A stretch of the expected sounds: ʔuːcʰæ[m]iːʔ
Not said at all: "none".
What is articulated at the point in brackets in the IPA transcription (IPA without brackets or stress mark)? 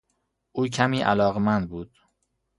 m